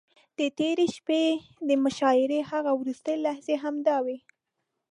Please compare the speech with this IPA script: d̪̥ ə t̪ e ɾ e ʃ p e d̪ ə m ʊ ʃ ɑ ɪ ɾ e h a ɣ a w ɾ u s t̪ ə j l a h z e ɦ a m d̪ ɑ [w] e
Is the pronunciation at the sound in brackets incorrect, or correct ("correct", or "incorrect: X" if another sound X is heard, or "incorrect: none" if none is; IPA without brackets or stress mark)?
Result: correct